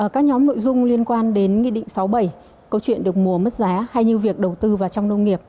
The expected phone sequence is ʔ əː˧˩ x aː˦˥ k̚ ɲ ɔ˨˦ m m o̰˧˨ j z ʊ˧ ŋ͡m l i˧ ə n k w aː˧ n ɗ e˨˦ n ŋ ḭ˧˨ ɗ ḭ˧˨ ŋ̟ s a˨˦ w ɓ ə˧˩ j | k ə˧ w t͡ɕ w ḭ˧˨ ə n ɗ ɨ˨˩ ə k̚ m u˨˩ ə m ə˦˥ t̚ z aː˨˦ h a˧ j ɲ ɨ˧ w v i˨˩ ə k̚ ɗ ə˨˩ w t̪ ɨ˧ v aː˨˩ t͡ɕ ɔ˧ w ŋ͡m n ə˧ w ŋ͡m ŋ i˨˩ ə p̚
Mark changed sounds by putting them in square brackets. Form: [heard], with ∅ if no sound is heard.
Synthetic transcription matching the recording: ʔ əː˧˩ [k] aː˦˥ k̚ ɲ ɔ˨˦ m [n] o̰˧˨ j z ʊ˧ ŋ͡m l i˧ ə n k w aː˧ n ɗ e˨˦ n ŋ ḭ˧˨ ɗ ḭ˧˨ ŋ̟ s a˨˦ w ɓ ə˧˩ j | k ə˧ w t͡ɕ w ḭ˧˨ ə n ɗ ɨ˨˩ ə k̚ m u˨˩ ə m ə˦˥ t̚ z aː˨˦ h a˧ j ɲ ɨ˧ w v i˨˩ ə k̚ ɗ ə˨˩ w t̪ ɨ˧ v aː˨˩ t͡ɕ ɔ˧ w ŋ͡m n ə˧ w ŋ͡m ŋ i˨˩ ə p̚

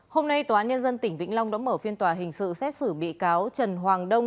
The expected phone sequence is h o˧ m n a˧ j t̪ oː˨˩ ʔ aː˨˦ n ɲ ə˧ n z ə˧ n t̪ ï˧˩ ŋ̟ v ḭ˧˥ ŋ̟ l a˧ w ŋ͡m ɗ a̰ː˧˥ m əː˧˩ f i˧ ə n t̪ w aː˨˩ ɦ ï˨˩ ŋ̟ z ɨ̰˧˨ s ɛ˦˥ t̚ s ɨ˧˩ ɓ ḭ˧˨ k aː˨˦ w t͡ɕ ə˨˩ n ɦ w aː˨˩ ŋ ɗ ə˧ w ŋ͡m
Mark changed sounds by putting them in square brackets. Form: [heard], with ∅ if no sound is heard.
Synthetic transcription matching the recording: h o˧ m n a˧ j t̪ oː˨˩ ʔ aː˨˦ n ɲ ə˧ n z ə˧ n t̪ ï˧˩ ŋ̟ v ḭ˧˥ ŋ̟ l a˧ w ŋ͡m ɗ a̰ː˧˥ m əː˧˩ f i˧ ə n t̪ w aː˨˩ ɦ ï˨˩ ŋ̟ [s] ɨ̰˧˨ s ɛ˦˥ t̚ s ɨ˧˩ ɓ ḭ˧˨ k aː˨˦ w t͡ɕ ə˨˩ n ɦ w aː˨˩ ŋ ɗ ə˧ w ŋ͡m

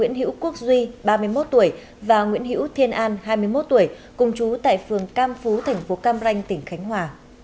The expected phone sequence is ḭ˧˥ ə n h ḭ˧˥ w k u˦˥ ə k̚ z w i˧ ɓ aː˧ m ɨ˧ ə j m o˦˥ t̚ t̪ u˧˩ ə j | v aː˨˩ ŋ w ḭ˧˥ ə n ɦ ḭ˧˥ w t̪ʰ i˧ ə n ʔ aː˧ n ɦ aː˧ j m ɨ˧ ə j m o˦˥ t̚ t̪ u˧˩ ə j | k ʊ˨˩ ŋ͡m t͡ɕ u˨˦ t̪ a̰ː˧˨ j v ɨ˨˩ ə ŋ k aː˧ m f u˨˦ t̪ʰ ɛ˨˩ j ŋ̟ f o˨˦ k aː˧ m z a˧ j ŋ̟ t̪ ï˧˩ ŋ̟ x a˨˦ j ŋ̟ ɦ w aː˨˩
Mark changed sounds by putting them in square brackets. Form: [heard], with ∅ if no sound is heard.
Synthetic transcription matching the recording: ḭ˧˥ ə n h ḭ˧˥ w k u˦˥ ə k̚ z w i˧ ɓ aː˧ m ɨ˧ ə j m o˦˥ t̚ t̪ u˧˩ ə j | v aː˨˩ ŋ w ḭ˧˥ ə n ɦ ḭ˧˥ w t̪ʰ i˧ ə n ʔ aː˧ n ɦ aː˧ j m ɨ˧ ə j m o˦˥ t̚ t̪ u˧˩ ə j | k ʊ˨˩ ŋ͡m t͡ɕ u˨˦ t̪ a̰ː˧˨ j [f] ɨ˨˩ ə ŋ k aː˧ m f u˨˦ t̪ʰ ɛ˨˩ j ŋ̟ f o˨˦ k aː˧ m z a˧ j ŋ̟ t̪ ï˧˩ ŋ̟ x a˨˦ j ŋ̟ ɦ w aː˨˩

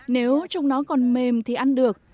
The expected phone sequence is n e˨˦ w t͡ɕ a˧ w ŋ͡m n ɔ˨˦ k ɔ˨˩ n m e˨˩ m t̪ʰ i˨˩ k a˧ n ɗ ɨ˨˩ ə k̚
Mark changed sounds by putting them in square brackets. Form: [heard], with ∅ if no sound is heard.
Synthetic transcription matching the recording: n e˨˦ w t͡ɕ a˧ w ŋ͡m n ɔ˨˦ k ɔ˨˩ n m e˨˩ m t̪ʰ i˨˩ [ʔ] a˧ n ɗ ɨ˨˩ ə k̚

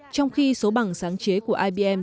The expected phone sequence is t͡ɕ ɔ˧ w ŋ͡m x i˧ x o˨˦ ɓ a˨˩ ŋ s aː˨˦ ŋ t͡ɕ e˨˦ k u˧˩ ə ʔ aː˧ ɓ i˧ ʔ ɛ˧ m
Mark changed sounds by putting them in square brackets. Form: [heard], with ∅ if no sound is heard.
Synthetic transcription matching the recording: t͡ɕ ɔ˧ w ŋ͡m x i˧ [s] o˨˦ ɓ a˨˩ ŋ s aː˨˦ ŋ t͡ɕ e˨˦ k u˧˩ ə ʔ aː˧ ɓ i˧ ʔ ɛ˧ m

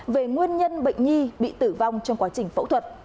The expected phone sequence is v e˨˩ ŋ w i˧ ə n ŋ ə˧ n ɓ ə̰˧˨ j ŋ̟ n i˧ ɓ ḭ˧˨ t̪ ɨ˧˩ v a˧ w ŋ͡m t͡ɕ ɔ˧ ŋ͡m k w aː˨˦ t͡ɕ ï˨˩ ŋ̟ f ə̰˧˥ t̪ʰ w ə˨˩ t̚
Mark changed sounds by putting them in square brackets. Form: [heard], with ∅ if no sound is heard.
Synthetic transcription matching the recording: v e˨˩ ŋ w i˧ ə n [ɲ] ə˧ n ɓ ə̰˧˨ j ŋ̟ [ɲ] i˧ ɓ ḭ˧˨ t̪ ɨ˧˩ v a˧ w ŋ͡m t͡ɕ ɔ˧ ŋ͡m k w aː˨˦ t͡ɕ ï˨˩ ŋ̟ f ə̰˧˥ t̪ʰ w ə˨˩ t̚

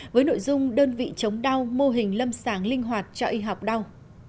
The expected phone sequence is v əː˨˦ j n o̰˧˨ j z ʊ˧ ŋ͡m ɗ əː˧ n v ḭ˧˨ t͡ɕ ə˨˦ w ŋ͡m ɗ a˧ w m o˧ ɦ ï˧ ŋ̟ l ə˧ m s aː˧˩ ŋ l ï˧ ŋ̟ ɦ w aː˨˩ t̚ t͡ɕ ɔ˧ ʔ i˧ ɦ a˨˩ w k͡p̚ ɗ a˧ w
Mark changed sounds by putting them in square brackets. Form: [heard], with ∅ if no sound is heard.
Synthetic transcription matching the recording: v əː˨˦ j n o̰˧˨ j z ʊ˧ ŋ͡m ɗ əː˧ n v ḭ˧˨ t͡ɕ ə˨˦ w ŋ͡m ɗ a˧ w m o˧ ɦ [ï˨˩] ŋ̟ l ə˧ m s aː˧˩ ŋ l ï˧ ŋ̟ ɦ w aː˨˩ t̚ t͡ɕ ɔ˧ ʔ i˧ ɦ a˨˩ w k͡p̚ ɗ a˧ w

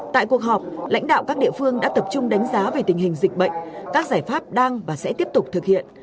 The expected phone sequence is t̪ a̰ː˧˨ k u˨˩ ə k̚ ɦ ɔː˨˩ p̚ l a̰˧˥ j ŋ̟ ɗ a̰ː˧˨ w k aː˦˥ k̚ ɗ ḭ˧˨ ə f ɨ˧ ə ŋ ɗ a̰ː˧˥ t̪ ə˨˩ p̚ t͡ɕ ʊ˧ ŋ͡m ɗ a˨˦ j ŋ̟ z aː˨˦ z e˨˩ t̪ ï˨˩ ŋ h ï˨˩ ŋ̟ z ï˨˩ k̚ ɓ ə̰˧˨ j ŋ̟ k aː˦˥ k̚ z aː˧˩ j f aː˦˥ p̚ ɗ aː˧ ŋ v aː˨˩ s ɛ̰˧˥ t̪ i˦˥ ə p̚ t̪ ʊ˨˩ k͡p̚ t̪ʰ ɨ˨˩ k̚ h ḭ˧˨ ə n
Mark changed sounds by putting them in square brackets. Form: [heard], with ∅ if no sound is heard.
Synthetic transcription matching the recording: t̪ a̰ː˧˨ k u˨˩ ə k̚ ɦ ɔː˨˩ p̚ l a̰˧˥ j ŋ̟ ɗ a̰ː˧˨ w k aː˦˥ k̚ ɗ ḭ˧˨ ə f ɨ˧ ə ŋ ɗ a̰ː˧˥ t̪ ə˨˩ p̚ t͡ɕ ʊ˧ ŋ͡m ɗ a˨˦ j ŋ̟ z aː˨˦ [v] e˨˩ t̪ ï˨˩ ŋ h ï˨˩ ŋ̟ z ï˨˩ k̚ ɓ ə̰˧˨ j ŋ̟ k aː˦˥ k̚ z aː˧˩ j f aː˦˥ p̚ ɗ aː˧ ŋ v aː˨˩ s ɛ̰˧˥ t̪ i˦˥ ə p̚ t̪ ʊ˨˩ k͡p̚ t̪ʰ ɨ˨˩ k̚ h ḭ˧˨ ə n

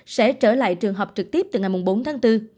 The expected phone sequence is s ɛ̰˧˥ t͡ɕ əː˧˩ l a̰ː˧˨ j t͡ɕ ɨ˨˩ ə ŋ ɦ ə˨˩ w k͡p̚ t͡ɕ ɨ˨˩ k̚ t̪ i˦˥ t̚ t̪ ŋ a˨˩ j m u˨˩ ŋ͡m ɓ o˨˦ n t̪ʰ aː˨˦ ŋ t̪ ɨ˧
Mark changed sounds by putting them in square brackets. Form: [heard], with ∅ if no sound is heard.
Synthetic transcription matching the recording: s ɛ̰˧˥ t͡ɕ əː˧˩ l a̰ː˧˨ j t͡ɕ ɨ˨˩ ə ŋ ɦ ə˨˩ w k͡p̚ t͡ɕ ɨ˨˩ k̚ t̪ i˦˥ [p̚] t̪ ŋ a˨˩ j m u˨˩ ŋ͡m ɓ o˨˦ n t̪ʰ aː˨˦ ŋ t̪ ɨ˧

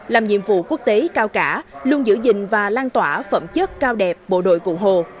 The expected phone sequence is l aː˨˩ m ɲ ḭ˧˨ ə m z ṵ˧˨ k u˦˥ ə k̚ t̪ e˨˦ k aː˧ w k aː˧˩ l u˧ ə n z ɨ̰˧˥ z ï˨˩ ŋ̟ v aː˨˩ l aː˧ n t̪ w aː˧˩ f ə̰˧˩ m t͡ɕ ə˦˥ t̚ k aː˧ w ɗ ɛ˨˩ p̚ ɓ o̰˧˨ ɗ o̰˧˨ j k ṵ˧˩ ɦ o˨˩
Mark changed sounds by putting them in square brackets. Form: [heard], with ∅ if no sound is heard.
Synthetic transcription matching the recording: l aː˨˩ m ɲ ḭ˧˨ ə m [v] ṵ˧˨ k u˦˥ ə k̚ t̪ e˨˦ k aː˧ w k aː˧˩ l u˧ ə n z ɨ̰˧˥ z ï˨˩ ŋ̟ v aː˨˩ l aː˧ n t̪ w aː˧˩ f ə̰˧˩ m t͡ɕ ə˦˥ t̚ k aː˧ w ɗ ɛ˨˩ p̚ ɓ o̰˧˨ ɗ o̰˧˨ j k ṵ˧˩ ɦ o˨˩

